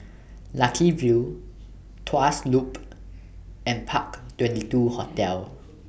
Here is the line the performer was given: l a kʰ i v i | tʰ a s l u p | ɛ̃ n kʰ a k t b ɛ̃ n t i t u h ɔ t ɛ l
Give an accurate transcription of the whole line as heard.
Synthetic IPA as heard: l a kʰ i v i | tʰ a s l u p | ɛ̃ n pʰ a k t w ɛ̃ n t i t u h ɔ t ɛ l